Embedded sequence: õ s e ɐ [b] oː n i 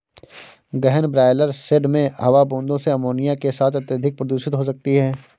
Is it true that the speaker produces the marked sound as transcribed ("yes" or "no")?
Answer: no